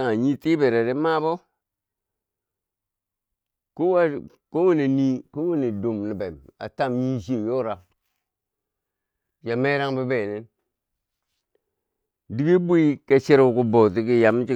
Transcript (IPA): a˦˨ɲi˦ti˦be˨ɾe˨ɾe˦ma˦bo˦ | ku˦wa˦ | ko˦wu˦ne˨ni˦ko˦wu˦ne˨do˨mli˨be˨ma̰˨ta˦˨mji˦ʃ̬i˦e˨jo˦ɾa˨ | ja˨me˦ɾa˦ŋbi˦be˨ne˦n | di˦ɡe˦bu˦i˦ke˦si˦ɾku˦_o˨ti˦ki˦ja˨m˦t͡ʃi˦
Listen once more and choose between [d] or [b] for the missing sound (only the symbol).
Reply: b